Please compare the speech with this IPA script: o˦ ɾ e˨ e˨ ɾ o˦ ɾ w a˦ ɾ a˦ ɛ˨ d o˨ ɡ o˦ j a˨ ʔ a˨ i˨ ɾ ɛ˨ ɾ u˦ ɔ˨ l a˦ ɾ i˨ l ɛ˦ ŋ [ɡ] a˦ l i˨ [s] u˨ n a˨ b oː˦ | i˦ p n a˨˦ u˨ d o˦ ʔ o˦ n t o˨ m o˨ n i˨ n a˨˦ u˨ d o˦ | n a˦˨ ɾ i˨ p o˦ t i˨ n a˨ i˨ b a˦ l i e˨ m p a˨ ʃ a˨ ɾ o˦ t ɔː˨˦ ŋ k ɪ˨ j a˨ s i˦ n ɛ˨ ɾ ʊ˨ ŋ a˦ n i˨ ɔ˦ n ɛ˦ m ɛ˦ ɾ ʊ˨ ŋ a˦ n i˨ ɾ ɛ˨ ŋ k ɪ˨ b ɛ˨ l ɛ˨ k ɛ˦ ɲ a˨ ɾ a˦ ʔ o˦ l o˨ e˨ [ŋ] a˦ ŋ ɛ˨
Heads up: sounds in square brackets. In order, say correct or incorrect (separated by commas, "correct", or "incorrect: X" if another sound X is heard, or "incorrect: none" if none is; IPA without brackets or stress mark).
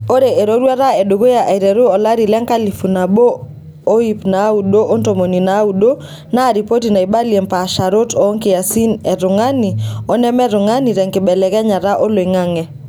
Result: incorrect: k, incorrect: f, correct